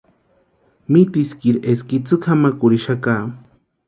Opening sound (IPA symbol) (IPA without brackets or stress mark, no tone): m